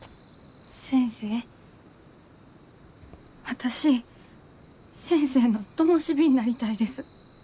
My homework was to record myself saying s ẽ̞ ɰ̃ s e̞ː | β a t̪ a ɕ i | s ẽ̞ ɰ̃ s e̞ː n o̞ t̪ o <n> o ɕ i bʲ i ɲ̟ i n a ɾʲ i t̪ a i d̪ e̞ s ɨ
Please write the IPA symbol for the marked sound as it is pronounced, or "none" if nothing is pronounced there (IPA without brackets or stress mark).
m